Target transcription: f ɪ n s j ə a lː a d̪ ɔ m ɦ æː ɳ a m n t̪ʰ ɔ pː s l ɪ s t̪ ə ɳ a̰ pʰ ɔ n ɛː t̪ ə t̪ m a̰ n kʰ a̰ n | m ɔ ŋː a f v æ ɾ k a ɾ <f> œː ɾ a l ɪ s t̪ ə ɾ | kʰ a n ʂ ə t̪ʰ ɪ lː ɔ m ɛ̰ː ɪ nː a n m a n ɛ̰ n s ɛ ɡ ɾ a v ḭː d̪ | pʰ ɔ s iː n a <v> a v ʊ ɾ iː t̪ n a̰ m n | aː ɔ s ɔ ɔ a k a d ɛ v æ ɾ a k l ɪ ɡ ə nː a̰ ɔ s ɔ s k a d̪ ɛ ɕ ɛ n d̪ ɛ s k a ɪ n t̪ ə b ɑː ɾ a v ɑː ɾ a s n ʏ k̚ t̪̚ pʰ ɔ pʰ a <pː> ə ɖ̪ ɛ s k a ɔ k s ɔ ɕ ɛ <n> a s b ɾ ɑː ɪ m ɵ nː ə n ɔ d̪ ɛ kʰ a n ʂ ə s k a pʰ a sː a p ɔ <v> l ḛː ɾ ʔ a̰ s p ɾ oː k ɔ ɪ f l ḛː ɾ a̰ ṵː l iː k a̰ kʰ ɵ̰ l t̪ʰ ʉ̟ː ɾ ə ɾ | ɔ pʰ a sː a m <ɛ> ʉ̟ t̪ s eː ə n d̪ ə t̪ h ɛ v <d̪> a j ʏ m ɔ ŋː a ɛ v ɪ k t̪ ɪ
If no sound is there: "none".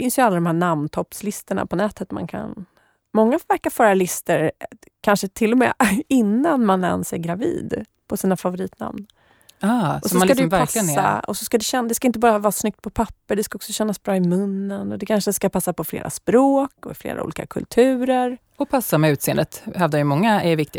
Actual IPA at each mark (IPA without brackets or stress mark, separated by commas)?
f, f, pː, nː, f, ɛ, d̪